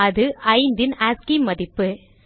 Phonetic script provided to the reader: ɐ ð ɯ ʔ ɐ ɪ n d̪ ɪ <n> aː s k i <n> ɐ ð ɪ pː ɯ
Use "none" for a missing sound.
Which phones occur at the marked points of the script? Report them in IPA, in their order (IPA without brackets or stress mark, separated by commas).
n, m